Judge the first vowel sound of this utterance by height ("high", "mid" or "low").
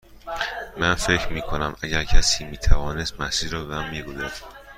low